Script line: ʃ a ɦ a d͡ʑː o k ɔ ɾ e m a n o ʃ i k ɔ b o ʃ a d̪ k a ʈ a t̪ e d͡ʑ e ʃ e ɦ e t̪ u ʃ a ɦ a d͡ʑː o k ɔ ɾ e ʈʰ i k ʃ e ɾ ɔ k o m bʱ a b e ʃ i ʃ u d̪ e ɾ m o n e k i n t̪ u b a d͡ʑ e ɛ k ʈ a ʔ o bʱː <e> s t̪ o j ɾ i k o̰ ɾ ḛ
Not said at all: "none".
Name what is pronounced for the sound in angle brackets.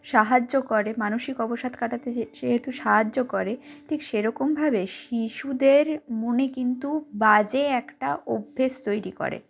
e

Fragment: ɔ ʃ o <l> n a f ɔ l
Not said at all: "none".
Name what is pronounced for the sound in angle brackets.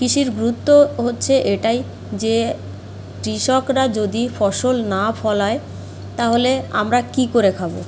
l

